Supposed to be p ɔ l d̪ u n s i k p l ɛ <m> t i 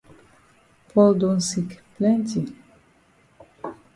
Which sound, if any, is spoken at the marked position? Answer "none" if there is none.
n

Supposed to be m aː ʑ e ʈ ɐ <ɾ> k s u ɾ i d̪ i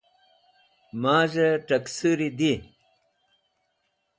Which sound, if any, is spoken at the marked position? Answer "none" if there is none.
none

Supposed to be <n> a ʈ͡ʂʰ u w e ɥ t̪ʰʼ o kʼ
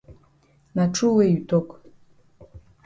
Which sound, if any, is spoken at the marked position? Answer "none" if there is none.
n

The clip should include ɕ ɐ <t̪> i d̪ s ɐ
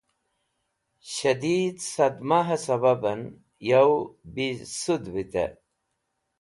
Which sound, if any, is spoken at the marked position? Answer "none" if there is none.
d̪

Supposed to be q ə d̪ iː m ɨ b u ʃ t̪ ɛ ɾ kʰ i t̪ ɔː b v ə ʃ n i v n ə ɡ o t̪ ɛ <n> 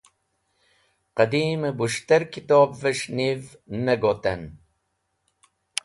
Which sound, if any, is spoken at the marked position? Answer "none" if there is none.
n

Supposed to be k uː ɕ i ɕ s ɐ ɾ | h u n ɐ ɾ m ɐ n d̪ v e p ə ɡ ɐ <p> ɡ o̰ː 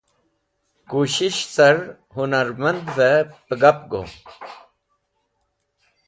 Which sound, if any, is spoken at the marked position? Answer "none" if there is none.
p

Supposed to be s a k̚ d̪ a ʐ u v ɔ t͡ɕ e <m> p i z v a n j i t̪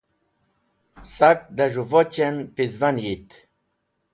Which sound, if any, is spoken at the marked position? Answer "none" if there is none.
n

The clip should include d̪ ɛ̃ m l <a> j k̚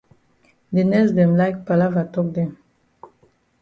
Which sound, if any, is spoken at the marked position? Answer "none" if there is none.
a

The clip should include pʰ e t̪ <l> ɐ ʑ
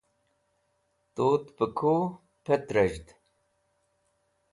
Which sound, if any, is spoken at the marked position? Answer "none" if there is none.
ɾ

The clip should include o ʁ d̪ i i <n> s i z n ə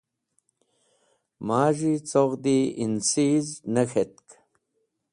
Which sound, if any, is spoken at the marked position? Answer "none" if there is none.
n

